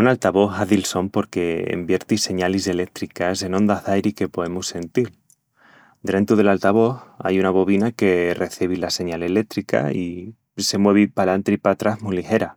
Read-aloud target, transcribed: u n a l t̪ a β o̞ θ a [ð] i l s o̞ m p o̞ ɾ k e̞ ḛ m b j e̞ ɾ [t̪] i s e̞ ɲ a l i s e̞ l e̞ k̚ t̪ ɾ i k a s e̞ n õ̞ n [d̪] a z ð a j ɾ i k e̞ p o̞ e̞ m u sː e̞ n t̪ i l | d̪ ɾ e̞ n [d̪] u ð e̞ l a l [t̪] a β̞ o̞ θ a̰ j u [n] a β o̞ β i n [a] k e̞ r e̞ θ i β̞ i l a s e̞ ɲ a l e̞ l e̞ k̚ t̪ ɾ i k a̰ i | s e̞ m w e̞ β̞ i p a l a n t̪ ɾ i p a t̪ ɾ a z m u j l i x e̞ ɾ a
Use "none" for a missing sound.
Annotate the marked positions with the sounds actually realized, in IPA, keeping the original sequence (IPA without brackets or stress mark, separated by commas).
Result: ð, t̪, d̪, t̪, t̪, n, a